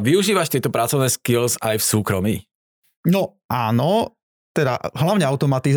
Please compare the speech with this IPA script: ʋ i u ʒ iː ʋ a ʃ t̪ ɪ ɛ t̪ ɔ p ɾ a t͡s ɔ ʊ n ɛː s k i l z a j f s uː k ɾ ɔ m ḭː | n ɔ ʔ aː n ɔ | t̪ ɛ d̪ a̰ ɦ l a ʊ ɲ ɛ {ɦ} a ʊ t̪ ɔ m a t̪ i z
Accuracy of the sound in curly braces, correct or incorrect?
incorrect